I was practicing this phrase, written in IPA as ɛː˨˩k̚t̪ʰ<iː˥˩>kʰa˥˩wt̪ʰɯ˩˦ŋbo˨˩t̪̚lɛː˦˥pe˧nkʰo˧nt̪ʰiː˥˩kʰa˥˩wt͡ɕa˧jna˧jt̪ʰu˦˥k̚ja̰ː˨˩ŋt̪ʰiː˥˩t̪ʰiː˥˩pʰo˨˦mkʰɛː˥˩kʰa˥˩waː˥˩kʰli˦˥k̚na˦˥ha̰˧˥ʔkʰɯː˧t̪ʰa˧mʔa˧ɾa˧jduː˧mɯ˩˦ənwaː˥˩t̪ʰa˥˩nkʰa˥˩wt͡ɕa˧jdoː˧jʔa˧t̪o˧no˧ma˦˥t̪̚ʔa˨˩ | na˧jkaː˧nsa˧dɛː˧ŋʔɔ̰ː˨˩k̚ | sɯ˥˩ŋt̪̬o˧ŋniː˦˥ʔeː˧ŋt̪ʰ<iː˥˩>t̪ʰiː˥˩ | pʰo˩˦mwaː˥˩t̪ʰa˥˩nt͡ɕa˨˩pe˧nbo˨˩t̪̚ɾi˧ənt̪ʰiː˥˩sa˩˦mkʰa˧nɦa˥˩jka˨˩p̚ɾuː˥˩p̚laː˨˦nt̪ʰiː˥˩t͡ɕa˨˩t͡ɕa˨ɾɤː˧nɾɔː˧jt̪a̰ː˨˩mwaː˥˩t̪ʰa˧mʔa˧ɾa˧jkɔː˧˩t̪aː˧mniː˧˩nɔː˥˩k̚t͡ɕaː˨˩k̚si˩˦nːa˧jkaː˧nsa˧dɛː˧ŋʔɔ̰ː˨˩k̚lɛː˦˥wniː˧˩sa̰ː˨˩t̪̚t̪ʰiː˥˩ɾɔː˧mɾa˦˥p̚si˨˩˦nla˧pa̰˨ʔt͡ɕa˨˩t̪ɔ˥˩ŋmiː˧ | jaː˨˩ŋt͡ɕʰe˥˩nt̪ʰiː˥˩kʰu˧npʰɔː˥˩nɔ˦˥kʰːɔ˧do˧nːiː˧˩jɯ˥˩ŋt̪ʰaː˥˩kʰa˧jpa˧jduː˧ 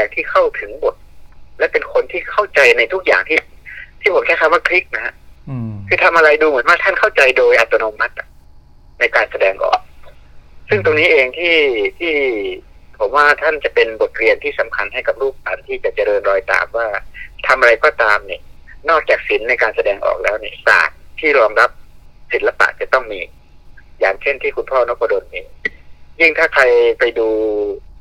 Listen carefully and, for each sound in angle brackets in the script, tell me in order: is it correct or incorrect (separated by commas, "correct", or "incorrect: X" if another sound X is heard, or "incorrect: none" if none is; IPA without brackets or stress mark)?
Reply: correct, correct